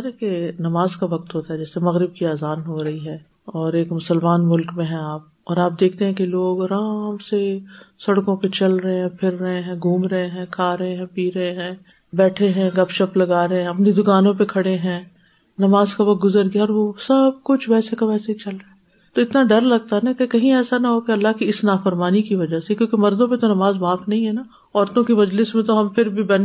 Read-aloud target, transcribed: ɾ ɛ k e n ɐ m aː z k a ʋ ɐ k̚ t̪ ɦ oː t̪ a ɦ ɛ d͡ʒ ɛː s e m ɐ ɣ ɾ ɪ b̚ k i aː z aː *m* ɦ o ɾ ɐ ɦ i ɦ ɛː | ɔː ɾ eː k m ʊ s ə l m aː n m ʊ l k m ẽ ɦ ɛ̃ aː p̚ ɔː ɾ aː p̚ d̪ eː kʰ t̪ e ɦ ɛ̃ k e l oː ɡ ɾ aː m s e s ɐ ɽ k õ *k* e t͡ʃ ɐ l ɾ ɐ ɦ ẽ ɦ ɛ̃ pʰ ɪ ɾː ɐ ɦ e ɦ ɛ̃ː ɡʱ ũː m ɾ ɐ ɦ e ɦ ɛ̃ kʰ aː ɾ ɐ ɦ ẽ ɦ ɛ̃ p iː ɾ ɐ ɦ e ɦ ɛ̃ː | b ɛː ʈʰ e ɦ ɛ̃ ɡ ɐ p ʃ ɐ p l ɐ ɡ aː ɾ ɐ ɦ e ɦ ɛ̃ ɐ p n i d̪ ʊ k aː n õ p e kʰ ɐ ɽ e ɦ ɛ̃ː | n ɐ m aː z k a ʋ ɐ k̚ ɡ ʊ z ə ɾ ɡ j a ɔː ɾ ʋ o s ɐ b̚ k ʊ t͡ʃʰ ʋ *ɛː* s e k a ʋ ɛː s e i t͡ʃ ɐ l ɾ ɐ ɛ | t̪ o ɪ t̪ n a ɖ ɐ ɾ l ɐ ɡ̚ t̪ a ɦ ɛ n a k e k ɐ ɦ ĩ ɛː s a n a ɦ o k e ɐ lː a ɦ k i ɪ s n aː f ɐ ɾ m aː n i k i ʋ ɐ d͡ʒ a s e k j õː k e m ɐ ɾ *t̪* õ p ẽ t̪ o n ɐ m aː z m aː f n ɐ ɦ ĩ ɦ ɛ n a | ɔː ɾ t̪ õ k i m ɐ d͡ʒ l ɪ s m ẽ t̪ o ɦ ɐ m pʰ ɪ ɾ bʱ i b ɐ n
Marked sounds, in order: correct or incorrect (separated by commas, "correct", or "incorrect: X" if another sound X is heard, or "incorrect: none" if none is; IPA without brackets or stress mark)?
incorrect: n, incorrect: p, correct, incorrect: d̪